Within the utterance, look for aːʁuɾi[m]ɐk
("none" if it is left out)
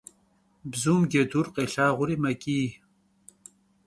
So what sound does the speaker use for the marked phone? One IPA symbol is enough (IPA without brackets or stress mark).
m